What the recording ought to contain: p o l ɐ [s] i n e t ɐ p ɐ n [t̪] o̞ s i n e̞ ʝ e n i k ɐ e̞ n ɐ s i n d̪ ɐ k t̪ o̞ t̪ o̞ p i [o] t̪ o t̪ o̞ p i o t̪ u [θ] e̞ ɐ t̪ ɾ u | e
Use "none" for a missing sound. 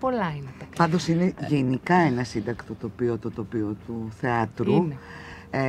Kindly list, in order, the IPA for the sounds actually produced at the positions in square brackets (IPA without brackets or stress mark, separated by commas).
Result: none, d̪, o, θ